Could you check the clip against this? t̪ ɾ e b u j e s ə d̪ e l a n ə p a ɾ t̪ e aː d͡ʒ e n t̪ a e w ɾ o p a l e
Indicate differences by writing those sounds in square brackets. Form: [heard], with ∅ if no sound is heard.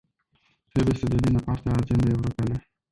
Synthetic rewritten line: t̪ ɾ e b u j e s ə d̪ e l [i] n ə p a ɾ t̪ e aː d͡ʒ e n [d̪] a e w ɾ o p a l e